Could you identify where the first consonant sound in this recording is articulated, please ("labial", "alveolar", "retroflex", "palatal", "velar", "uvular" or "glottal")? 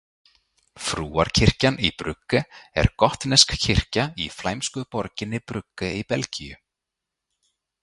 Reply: labial